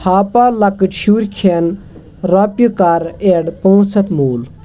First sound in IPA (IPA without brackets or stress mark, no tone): h